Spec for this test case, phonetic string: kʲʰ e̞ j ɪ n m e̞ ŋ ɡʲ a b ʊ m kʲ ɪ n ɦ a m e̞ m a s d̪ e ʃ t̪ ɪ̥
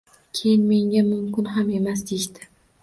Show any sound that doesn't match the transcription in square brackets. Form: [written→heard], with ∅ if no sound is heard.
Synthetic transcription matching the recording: kʲʰ e̞ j ɪ n m e̞ ŋ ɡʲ a [b→m] ʊ m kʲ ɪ n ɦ a m e̞ m a s d̪ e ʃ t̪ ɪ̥